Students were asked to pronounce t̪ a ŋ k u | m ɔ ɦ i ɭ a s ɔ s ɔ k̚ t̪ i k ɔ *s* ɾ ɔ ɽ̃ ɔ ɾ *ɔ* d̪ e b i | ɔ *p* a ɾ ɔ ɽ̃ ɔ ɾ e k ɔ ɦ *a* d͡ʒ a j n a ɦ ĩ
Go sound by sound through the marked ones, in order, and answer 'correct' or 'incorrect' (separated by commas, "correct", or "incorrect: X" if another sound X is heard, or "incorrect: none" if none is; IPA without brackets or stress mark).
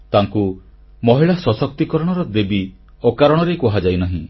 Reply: incorrect: none, correct, incorrect: k, correct